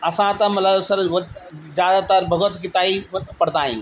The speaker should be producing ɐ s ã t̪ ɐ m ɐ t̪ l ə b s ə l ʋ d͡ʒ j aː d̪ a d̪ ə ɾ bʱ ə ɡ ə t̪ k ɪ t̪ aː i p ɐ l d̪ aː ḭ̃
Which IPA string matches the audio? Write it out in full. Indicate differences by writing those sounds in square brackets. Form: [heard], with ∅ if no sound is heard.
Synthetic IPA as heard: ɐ s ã t̪ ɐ m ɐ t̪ l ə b s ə [ɾ] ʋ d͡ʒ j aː d̪ a [t̪] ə ɾ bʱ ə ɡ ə t̪ k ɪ t̪ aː i p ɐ [ɽ] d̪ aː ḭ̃